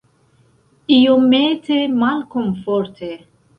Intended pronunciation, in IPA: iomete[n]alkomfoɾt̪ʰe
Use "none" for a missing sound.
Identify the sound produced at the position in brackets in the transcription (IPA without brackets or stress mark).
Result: m